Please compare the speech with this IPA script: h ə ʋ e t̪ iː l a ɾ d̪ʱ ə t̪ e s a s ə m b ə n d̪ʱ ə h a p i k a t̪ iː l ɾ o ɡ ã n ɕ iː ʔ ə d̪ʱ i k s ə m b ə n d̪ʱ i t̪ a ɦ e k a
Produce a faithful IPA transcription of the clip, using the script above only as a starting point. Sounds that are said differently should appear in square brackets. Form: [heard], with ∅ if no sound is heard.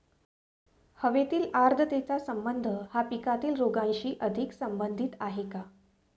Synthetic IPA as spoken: h ə ʋ e t̪ iː l a ɾ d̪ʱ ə t̪ e [t͡s] a s ə m b ə n d̪ʱ ə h a p i k a t̪ iː l ɾ o ɡ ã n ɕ iː ʔ ə d̪ʱ i k s ə m b ə n d̪ʱ i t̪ a ɦ e k a